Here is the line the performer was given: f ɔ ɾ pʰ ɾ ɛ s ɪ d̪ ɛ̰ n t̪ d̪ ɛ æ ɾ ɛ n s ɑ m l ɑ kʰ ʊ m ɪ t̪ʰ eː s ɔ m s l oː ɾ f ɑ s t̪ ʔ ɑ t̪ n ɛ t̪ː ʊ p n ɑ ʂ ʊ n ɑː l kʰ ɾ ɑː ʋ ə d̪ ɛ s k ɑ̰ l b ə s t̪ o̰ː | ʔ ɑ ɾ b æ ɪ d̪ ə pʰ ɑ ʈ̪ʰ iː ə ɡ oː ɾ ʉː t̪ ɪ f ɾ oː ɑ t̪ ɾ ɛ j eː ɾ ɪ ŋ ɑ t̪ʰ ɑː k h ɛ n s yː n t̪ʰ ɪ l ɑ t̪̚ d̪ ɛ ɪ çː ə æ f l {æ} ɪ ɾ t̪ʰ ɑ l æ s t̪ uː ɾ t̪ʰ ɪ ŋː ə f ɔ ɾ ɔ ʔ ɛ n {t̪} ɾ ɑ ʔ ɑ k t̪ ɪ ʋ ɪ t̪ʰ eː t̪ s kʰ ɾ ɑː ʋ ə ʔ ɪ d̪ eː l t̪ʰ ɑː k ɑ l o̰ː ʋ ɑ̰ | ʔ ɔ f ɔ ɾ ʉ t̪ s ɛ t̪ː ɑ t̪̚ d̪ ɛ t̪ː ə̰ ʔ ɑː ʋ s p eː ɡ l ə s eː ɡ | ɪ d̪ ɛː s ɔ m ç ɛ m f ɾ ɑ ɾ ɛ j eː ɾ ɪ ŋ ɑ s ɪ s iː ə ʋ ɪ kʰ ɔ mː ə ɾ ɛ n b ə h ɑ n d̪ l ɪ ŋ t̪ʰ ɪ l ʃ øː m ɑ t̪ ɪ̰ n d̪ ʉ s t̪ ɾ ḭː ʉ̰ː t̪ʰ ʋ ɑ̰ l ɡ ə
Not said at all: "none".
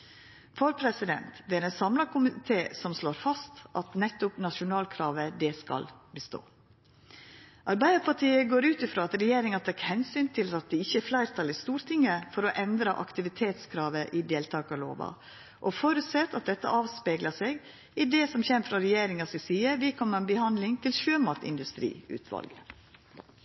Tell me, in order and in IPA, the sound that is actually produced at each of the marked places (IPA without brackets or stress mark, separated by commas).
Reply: æ, d̪